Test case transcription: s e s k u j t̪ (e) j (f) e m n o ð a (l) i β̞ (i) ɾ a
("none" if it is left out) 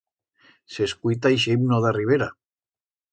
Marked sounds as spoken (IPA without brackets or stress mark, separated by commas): a, ʃ, r, e